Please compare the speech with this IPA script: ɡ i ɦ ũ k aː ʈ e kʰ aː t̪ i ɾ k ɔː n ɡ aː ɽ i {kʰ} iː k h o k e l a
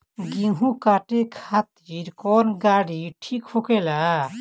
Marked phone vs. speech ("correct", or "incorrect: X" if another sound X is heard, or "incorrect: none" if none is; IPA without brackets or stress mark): incorrect: ʈʰ